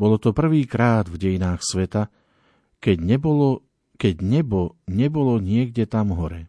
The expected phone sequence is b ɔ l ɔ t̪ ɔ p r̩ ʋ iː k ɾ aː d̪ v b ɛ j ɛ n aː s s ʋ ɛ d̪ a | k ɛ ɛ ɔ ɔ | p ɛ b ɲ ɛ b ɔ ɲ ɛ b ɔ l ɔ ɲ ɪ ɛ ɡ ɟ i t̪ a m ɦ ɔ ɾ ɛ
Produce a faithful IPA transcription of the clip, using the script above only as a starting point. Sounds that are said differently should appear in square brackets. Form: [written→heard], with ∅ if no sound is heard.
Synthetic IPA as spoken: b ɔ l ɔ t̪ ɔ p r̩ ʋ iː k ɾ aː d̪ v [b→ɟ] ɛ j [ɛ→i] n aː [s→x] s ʋ ɛ [d̪→t̪] a | k ɛ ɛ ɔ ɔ | [p→k] ɛ [b→ɟ] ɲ ɛ b ɔ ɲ ɛ b ɔ l ɔ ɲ ɪ ɛ ɡ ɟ [i→ɛ] t̪ a m ɦ ɔ ɾ ɛ